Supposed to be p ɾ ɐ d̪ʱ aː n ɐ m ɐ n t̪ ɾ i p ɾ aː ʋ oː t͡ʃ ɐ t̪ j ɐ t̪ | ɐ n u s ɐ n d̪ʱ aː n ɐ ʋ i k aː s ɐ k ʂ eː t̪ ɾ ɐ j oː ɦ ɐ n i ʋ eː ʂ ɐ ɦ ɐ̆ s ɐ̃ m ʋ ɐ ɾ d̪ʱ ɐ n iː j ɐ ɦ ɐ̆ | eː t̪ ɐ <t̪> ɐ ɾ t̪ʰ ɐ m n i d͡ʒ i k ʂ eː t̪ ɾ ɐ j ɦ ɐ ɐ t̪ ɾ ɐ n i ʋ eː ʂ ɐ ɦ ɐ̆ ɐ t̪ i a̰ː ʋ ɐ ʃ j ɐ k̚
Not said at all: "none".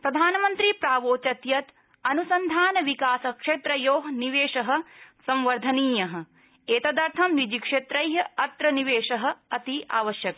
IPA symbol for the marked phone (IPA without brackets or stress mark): d̪